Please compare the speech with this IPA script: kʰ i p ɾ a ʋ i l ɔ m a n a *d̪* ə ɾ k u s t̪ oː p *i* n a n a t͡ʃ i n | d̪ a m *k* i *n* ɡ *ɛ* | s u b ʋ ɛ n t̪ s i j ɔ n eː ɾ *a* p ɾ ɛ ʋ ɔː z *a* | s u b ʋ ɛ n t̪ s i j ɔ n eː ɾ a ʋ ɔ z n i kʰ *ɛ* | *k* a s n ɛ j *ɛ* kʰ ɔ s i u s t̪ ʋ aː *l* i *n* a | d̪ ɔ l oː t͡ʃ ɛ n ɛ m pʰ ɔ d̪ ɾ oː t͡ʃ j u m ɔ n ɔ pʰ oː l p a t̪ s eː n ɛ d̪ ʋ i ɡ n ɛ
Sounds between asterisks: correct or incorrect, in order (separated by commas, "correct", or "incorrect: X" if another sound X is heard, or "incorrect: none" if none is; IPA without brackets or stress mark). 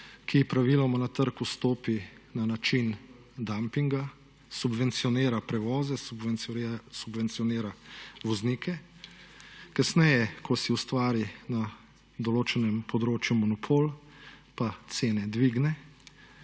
incorrect: t̪, correct, incorrect: p, incorrect: ŋ, incorrect: a, correct, incorrect: ɛ, correct, correct, correct, incorrect: ɾ, correct